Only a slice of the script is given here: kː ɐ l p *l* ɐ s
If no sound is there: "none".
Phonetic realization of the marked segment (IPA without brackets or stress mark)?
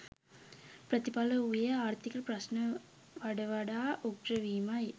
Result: ɾ